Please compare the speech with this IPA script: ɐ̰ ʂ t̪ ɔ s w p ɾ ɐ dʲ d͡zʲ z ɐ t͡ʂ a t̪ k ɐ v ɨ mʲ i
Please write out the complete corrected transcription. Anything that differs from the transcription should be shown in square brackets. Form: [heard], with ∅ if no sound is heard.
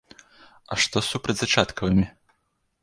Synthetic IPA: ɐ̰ ʂ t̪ ɔ s [u] p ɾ ɐ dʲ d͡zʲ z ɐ t͡ʂ a t̪ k ɐ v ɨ mʲ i